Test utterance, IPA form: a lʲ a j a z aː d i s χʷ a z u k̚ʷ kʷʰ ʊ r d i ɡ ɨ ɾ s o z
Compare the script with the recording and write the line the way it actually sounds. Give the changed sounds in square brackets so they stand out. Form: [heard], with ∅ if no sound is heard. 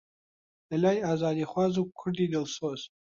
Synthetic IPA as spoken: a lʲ a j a z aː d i [∅] χʷ a z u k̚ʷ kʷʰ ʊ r d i [d] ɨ [l] s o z